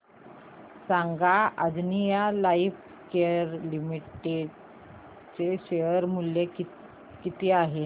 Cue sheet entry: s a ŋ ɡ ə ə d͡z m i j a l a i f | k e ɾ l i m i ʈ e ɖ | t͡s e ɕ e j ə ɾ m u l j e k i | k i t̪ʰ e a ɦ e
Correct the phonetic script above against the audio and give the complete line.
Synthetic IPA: s a ŋ ɡ a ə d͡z n i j a l a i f | k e ɾ l i m i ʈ e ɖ | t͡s e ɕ e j ə ɾ m u l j e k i | k i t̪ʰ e a ɦ e